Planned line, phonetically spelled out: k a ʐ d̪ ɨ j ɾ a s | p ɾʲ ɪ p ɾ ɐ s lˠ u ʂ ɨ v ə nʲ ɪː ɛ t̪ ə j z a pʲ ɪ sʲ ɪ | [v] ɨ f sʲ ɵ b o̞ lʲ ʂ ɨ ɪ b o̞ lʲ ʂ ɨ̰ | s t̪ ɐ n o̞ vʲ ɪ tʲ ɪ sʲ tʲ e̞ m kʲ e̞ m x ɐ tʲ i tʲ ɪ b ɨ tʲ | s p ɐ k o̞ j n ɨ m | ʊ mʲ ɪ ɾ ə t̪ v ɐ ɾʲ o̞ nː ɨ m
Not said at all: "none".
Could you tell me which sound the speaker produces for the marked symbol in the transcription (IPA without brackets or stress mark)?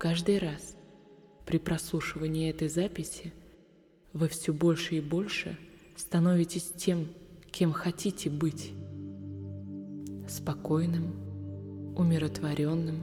v